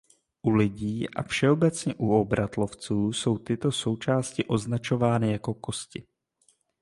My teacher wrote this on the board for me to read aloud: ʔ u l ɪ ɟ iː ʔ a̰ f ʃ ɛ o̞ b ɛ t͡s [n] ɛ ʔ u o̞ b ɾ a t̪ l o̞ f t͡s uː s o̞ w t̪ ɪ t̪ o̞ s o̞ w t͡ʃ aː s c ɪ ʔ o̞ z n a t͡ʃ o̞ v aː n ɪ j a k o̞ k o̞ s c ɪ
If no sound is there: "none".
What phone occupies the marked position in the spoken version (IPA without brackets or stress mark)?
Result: ɲ